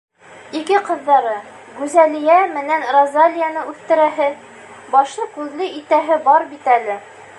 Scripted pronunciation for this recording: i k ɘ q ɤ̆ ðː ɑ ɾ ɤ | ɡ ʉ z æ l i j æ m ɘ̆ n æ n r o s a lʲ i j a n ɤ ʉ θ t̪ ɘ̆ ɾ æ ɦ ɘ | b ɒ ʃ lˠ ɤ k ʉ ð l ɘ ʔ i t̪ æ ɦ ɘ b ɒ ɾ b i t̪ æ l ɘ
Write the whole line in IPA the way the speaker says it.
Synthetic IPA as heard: i k ɘ q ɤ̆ ðː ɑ ɾ ɤ | ɡ ʉ z æ l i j æ m ɘ̆ n æ n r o z a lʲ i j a n ɤ ʉ θ t̪ ɘ̆ ɾ æ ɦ ɘ | b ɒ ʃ lˠ ɤ k ʉ ð l ɘ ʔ i t̪ æ ɦ ɘ b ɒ ɾ b i t̪ æ l ɘ